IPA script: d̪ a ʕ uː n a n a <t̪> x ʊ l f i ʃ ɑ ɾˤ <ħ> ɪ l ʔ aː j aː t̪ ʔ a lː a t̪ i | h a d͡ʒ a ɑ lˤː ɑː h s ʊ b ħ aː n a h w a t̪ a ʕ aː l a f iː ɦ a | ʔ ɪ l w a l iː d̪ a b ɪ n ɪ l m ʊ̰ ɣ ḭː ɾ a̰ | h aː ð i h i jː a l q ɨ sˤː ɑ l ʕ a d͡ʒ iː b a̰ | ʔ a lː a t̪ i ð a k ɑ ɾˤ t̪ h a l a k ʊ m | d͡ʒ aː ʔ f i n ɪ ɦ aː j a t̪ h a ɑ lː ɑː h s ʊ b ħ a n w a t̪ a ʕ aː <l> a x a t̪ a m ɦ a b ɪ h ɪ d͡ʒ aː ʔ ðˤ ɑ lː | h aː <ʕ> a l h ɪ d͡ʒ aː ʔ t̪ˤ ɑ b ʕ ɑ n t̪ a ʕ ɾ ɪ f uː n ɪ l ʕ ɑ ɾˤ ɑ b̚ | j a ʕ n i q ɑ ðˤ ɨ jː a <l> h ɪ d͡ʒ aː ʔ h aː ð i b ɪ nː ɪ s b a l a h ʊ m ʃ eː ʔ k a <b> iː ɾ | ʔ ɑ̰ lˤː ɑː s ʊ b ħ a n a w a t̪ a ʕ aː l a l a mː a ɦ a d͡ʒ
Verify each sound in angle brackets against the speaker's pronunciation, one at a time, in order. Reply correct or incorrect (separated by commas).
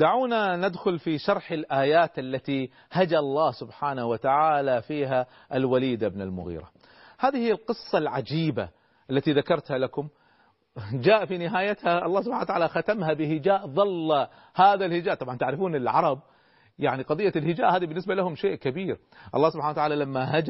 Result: incorrect, correct, correct, incorrect, correct, correct